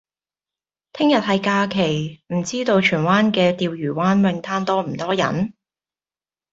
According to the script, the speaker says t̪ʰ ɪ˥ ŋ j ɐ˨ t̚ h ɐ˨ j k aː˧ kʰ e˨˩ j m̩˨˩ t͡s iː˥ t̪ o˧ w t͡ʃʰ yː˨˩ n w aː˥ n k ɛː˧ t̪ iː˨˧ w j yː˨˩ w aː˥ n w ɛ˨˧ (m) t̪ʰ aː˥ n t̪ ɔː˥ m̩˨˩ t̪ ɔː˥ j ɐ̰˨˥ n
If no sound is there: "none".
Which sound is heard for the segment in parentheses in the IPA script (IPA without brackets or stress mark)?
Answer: ŋ